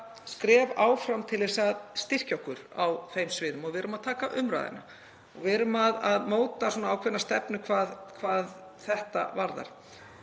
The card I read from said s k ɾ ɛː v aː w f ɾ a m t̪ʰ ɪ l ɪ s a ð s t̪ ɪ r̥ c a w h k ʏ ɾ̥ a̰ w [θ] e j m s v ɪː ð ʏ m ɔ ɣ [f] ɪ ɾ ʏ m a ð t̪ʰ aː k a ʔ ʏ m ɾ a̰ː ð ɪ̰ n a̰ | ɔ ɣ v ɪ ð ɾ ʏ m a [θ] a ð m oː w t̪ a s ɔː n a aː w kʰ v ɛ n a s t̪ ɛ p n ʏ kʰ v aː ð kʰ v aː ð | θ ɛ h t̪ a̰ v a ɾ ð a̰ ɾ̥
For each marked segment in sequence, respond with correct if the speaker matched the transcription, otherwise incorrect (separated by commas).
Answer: incorrect, incorrect, incorrect